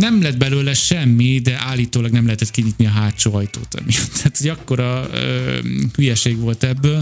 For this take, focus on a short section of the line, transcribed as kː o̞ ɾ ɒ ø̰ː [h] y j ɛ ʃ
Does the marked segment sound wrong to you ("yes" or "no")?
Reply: no